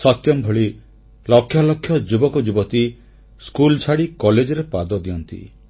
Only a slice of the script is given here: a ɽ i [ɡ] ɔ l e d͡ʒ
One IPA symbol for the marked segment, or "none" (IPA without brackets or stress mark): k